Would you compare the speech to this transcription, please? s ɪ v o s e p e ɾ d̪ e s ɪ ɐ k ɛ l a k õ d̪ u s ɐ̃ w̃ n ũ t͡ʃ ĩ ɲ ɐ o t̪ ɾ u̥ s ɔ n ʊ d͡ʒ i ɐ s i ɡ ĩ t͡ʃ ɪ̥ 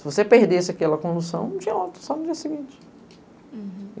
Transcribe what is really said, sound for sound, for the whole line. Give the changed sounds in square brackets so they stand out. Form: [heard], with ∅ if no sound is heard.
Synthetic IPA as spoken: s ɪ v o s e p e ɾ d̪ e s ɪ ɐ k ɛ l [ɐ] k õ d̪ u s ɐ̃ w̃ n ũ t͡ʃ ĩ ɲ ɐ o t̪ ɾ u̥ s ɔ n ʊ d͡ʒ i ɐ s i ɡ ĩ t͡ʃ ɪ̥